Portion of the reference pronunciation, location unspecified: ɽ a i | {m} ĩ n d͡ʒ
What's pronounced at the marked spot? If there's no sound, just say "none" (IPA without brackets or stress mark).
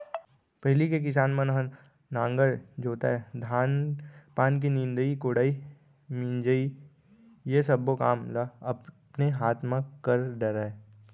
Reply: m